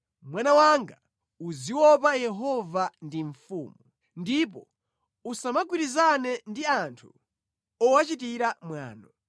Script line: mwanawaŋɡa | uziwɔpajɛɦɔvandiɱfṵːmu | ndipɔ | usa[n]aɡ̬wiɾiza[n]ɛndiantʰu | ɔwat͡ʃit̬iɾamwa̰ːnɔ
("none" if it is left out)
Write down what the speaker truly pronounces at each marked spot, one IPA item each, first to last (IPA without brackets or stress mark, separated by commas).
m, n